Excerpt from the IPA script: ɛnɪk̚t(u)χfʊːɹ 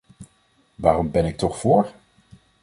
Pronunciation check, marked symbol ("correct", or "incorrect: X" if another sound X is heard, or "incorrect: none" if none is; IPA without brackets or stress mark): incorrect: ɔ